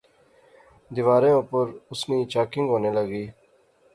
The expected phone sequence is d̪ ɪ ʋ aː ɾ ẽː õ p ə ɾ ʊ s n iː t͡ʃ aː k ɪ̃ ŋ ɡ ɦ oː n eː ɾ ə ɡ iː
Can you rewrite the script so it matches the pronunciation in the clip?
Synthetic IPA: d̪ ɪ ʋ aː ɾ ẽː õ p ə ɾ ʊ s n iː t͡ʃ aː k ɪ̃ ŋ ɡ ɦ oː n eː l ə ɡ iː